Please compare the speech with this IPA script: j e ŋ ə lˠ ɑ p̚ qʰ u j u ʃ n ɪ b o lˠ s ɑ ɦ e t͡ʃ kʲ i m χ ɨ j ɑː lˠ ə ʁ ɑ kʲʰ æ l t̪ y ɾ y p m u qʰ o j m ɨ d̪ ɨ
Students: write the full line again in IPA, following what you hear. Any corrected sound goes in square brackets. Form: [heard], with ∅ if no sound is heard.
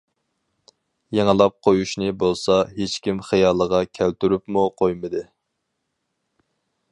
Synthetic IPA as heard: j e ŋ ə lˠ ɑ p̚ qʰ [o] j u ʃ n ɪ b o lˠ s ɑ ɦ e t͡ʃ kʲ i m χ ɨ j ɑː lˠ ə ʁ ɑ kʲʰ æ l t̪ y ɾ y p m u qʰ o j m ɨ d̪ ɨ